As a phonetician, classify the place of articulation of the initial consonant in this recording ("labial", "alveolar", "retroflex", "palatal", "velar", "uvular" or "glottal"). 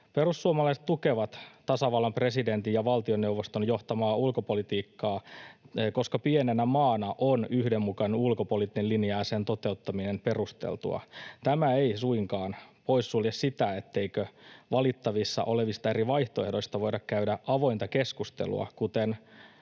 labial